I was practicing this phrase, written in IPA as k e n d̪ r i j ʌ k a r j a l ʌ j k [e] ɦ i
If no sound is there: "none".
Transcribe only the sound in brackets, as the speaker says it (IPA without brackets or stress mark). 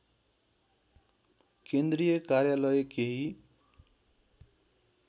e